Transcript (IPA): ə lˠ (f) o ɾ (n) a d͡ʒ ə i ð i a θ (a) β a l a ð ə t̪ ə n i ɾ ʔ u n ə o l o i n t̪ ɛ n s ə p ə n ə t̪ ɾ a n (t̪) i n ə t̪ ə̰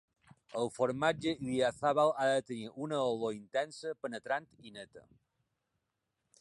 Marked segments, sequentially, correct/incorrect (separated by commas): correct, incorrect, correct, correct